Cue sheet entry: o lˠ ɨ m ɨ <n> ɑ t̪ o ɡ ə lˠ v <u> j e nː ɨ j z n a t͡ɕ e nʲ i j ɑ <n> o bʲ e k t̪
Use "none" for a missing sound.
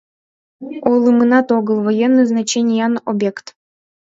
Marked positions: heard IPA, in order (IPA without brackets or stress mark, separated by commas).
n, o, n